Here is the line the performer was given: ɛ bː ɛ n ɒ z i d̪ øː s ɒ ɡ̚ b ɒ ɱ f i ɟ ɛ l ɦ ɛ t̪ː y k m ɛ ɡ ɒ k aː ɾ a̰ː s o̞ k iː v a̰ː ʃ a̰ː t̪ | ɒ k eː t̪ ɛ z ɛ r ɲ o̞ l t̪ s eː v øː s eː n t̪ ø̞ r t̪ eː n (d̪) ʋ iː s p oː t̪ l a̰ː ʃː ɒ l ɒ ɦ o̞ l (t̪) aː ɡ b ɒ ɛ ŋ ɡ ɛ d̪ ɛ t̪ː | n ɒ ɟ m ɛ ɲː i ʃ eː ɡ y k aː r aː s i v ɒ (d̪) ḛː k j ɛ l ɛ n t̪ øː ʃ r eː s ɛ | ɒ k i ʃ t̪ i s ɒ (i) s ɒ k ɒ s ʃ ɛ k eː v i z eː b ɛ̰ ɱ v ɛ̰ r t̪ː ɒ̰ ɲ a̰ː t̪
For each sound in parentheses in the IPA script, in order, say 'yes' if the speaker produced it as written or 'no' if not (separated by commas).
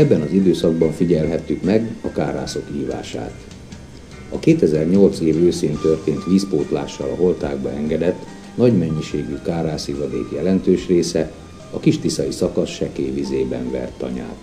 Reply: no, yes, yes, yes